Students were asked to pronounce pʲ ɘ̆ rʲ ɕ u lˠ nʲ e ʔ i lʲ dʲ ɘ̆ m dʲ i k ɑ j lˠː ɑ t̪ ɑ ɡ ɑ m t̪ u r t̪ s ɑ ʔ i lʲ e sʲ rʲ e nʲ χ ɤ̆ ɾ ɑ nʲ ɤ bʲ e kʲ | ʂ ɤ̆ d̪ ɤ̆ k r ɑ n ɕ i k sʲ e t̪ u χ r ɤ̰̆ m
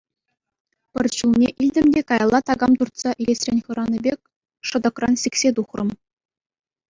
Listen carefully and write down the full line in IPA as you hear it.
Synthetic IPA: pʲ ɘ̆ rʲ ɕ u lˠ nʲ e ʔ i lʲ dʲ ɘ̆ m dʲ e k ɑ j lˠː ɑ t̪ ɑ ɡ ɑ m t̪ u r t̪ s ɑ ʔ i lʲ e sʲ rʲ e nʲ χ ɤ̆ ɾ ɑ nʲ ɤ bʲ e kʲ | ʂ ɤ̆ d̪ ɤ̆ k r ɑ n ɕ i k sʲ e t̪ u χ r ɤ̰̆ m